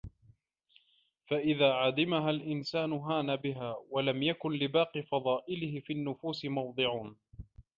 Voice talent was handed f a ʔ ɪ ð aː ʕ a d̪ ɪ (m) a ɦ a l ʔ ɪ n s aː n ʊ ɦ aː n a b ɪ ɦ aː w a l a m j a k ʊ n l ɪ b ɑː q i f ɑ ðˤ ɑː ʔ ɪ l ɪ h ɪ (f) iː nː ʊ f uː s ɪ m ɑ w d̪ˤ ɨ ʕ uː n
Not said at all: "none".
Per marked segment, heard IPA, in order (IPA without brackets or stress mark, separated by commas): m, f